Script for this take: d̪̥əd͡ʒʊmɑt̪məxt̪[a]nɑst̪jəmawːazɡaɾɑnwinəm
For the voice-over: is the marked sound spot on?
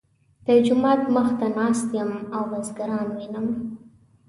yes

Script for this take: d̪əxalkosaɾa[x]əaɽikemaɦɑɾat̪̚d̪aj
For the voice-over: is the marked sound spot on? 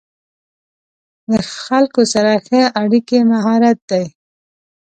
yes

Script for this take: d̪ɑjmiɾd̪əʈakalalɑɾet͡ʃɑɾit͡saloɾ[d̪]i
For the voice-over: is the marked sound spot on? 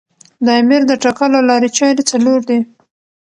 yes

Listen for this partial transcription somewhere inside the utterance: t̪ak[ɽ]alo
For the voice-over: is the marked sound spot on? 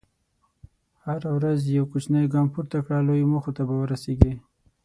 yes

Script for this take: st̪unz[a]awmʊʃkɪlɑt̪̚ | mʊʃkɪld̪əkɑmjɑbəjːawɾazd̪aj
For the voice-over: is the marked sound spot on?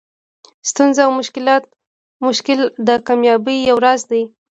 yes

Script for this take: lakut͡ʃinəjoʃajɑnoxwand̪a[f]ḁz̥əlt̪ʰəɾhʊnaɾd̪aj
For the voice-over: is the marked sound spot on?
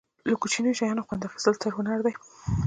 yes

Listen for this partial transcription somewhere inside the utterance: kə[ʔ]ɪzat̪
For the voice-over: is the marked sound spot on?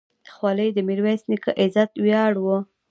yes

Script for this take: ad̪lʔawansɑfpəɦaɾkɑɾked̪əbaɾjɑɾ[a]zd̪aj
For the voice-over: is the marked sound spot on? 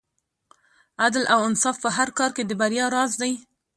no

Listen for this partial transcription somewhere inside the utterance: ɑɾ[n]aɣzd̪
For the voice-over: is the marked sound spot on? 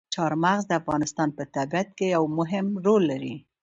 no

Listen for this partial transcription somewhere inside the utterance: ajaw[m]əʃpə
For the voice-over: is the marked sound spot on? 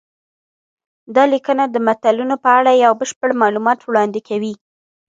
no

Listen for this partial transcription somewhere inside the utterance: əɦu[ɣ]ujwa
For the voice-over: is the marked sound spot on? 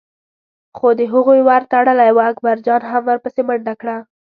yes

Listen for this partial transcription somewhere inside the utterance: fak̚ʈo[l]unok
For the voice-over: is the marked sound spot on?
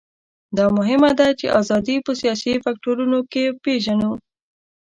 no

